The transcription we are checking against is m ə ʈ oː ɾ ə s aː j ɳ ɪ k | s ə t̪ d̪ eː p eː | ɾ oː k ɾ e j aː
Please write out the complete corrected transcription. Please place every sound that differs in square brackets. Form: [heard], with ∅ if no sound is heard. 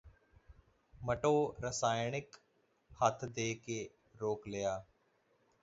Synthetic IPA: m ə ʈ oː ɾ ə s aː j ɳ ɪ k | [h] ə [t̪ʰ] d̪ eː [k] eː | ɾ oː k [l] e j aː